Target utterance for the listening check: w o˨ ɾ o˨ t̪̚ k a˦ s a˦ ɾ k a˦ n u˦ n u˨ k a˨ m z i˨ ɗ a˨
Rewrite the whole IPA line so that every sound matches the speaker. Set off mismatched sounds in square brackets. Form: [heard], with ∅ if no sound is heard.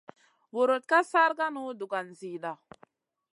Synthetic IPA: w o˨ ɾ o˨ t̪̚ k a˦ s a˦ ɾ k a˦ n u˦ [d] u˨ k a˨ [n] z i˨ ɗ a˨